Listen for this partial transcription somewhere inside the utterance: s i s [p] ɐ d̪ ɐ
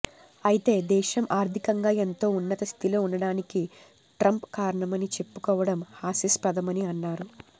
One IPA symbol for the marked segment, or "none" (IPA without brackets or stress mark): p